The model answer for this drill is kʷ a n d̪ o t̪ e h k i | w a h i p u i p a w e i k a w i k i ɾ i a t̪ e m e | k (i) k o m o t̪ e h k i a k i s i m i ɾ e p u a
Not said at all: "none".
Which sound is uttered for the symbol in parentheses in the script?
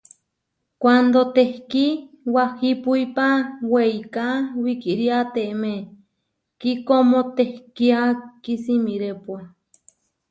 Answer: i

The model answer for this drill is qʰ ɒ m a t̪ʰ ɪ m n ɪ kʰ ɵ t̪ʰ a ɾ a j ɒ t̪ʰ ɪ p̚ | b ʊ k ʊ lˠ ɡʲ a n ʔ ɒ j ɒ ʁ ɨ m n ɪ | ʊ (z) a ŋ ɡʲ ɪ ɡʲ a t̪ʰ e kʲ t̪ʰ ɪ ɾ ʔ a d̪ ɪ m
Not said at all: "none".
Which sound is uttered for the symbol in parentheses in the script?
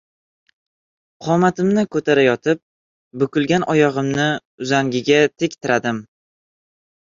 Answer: z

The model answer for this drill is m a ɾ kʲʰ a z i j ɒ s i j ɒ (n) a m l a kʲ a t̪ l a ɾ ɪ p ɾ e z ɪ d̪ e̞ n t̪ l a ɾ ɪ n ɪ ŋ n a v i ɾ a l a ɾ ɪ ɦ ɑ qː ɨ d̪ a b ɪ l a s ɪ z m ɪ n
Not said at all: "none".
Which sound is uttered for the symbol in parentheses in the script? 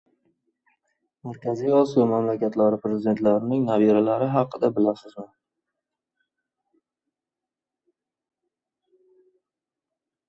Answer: m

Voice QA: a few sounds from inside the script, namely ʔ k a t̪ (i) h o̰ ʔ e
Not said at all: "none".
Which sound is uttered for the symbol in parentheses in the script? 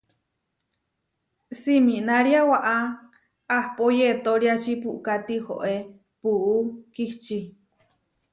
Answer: i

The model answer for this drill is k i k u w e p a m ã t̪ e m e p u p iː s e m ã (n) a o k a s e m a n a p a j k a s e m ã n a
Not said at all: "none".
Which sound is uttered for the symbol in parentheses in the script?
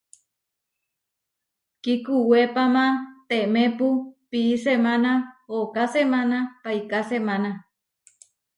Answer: n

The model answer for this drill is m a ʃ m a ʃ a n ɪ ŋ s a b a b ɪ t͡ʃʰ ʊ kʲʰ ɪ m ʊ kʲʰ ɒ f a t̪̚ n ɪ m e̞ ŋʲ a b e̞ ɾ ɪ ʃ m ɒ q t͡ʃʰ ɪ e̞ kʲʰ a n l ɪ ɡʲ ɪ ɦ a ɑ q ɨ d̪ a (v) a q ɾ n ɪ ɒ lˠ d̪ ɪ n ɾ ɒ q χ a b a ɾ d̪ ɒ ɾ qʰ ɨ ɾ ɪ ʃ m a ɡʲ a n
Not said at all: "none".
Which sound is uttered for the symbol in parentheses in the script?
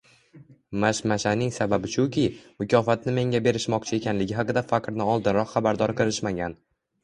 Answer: f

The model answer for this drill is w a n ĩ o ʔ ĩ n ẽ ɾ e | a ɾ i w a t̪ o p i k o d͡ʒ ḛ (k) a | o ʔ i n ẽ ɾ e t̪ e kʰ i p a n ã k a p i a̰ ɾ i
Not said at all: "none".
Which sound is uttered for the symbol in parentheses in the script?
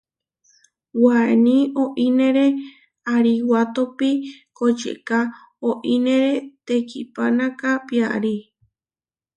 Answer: k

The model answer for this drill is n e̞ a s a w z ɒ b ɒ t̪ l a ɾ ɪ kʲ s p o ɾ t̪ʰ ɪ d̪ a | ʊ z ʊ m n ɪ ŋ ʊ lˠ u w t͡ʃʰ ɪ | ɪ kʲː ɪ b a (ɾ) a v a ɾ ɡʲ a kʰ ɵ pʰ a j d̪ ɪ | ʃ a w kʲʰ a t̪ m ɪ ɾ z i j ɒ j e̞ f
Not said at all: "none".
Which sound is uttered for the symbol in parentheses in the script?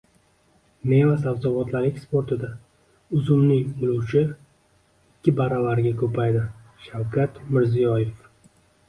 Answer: ɾ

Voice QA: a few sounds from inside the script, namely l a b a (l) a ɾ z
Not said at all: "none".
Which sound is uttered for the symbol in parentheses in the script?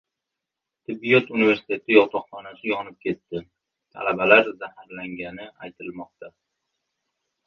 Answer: l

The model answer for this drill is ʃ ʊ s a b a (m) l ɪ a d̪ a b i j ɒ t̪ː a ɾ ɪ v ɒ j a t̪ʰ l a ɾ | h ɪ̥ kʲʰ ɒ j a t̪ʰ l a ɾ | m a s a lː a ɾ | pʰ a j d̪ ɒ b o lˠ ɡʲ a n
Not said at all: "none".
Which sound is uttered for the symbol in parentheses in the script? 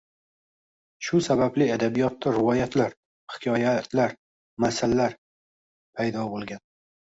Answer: b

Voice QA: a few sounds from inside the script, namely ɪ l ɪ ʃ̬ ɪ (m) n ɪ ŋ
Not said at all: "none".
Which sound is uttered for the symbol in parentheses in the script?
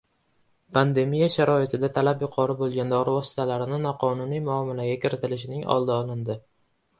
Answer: none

